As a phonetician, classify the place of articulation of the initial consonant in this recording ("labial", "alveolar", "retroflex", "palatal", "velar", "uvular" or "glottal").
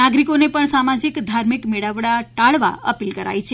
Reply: velar